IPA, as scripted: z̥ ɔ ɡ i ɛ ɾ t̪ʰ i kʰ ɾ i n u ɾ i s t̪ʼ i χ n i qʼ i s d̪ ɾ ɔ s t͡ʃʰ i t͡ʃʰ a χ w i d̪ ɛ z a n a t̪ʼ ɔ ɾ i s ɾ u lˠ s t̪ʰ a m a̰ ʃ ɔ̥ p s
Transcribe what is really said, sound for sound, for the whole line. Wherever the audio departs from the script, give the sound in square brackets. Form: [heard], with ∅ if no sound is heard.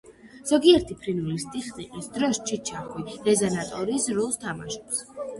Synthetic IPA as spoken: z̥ ɔ ɡ i ɛ ɾ t̪ʰ i [pʰ] ɾ i n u [l] i s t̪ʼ i χ n i qʼ i s d̪ ɾ ɔ s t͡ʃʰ i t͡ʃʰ a χ w i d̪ ɛ z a n a t̪ʼ ɔ ɾ i s ɾ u lˠ s t̪ʰ a m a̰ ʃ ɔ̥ p s